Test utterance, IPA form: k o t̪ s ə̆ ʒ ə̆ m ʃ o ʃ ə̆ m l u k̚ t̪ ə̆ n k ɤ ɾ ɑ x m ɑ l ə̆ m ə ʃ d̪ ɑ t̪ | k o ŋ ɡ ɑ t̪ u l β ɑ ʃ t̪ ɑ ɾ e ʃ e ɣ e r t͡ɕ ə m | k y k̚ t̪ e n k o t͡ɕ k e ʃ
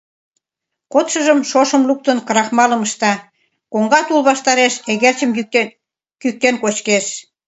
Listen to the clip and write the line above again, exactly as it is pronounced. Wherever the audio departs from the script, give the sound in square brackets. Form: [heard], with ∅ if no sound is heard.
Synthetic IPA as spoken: k o t̪ [ʃ] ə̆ ʒ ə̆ m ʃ o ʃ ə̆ m l u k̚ t̪ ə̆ n k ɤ ɾ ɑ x m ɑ l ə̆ m ə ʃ [t̪] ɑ [∅] | k o ŋ ɡ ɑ t̪ u l β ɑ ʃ t̪ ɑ ɾ e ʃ e ɣ e r t͡ɕ ə m | k y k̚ t̪ e n k o t͡ɕ k e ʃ

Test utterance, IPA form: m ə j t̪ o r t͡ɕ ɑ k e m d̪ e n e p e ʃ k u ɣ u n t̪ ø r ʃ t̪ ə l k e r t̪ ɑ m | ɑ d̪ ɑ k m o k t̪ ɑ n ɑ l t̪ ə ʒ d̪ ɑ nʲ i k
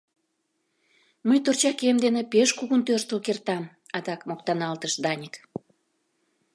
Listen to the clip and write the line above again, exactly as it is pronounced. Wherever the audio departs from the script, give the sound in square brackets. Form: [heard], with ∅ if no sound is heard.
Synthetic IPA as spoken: m ə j t̪ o r t͡ɕ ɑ k e m d̪ e n e p e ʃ k u ɣ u n t̪ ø r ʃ t̪ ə l k e r t̪ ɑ m | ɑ d̪ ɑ k m o k t̪ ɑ n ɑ l t̪ ə [ʃ] d̪ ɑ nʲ i k

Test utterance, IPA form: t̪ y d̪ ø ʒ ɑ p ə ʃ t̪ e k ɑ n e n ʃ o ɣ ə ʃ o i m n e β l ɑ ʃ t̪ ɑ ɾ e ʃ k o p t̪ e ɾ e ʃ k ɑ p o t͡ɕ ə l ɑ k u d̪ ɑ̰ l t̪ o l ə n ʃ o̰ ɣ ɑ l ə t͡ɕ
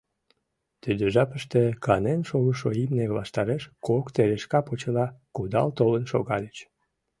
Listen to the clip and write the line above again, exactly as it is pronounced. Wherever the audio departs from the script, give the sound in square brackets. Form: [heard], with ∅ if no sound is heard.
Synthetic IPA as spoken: t̪ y d̪ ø ʒ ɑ p ə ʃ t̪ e k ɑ n e n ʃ o ɣ ə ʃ o i m n e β l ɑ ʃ t̪ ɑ ɾ e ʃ k o [k] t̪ e ɾ e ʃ k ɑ p o t͡ɕ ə l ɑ k u d̪ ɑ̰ l t̪ o l ə n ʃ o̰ ɣ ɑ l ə t͡ɕ

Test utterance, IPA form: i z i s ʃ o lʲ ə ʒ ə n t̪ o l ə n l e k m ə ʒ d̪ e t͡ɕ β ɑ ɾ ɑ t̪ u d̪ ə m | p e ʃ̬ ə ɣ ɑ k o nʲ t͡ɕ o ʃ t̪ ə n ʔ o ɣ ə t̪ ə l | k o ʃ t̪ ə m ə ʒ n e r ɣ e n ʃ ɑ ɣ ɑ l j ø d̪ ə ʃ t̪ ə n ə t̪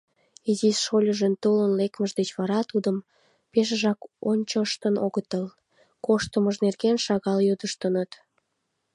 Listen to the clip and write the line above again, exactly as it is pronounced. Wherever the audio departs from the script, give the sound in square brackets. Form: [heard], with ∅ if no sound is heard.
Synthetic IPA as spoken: i z i s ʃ o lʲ ə ʒ ə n t̪ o l ə n l e k m ə ʒ d̪ e t͡ɕ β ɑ ɾ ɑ t̪ u d̪ ə m | p e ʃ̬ ə [ʒ] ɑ k o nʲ t͡ɕ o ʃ t̪ ə n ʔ o ɣ ə t̪ ə l | k o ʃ t̪ ə m ə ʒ n e r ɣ e n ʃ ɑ ɣ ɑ l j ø d̪ ə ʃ t̪ ə n ə t̪

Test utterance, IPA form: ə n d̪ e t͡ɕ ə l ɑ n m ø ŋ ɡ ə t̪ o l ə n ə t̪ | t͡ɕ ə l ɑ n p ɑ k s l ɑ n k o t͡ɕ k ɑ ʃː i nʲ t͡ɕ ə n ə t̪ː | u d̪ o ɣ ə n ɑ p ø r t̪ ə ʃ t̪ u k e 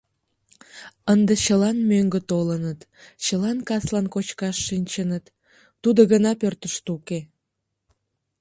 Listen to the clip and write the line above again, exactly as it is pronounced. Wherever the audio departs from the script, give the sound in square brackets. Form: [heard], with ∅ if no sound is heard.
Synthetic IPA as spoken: ə n d̪ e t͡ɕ ə l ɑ n m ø ŋ ɡ ə t̪ o l ə n ə t̪ | t͡ɕ ə l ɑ n [k] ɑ [∅] s l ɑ n k o t͡ɕ k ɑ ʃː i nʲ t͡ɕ ə n ə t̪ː | u d̪ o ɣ ə n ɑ p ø r t̪ ə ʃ t̪ u k e

